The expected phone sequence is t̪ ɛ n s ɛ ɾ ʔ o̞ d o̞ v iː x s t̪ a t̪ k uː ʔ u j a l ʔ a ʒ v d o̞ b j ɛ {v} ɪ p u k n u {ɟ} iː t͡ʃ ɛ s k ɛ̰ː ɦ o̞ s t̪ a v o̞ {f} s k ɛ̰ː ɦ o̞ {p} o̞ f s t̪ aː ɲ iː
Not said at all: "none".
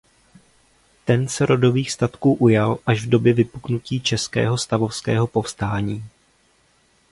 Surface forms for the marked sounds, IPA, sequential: v, c, f, p

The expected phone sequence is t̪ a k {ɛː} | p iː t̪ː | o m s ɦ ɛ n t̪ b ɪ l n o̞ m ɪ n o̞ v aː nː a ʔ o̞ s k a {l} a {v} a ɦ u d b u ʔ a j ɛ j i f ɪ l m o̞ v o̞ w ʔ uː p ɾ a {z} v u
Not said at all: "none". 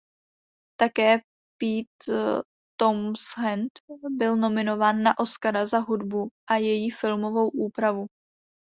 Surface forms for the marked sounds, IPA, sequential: ɛː, ɾ, z, none

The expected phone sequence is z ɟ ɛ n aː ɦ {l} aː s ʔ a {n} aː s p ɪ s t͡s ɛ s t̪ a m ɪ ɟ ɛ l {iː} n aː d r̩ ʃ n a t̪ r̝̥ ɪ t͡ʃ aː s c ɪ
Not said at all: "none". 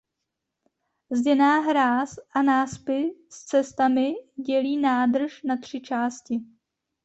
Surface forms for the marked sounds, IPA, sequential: ɾ, n, iː

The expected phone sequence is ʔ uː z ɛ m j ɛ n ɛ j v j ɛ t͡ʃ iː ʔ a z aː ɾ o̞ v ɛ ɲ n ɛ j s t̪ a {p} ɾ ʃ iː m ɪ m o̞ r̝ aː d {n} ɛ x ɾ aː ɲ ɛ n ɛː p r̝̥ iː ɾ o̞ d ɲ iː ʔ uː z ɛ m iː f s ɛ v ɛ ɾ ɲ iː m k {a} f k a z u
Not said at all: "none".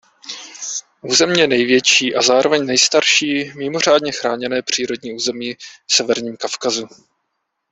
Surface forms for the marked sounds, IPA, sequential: none, ɲ, a

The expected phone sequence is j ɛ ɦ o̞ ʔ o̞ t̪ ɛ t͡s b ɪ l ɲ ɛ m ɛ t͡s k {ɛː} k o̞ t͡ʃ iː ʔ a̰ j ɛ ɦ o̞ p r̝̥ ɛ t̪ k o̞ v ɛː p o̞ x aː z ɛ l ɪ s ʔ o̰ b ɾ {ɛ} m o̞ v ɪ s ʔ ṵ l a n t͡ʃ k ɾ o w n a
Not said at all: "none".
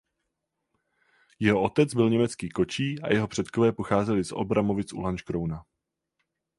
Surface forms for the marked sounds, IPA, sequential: iː, a

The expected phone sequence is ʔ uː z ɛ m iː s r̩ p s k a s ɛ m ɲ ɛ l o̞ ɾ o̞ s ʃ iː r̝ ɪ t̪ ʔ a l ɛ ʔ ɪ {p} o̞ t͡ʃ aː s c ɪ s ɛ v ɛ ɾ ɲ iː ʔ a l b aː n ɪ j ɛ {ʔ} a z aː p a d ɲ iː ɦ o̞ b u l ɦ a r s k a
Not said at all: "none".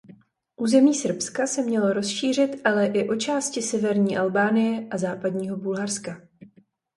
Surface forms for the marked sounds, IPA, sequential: ʔ, ʔ

